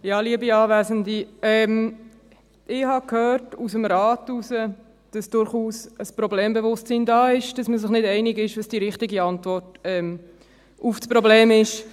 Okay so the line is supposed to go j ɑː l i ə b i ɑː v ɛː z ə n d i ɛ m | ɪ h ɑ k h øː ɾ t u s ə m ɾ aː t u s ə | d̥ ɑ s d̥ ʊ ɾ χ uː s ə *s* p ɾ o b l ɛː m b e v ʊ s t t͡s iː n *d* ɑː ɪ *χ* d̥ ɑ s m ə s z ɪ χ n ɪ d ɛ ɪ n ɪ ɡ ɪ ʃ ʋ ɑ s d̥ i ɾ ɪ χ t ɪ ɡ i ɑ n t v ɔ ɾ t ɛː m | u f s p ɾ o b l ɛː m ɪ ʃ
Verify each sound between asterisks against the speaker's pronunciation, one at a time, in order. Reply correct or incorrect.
correct, correct, incorrect

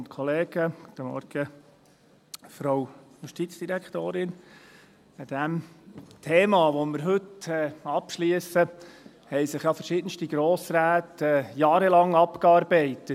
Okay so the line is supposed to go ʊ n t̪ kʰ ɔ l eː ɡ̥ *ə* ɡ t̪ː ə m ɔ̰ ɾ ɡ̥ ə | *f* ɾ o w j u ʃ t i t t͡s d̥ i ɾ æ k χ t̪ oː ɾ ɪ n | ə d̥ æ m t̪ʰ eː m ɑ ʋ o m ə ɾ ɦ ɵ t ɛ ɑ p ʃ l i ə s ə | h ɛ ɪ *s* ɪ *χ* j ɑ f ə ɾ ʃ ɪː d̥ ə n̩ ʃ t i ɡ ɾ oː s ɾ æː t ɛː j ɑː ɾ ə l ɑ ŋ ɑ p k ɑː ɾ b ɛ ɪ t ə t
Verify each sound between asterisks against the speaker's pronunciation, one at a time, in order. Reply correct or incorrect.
correct, correct, correct, correct

